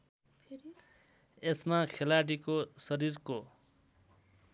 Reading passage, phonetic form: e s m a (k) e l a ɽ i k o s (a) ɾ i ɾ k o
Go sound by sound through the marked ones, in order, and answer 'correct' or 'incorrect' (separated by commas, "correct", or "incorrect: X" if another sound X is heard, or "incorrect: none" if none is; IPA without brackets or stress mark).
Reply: incorrect: kʰ, incorrect: ʌ